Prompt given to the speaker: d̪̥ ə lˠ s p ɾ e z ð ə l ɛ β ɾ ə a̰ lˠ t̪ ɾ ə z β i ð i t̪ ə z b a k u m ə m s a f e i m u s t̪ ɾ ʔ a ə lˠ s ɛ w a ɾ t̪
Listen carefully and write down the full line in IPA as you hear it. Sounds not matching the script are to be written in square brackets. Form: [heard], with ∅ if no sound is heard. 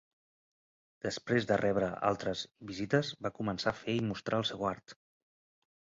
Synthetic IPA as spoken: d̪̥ ə [∅] s p ɾ e z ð ə [r] ɛ β ɾ ə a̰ lˠ t̪ ɾ ə z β i [z] i t̪ ə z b a k u m ə [n] s a f e i m u s t̪ ɾ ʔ a ə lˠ s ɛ w a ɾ t̪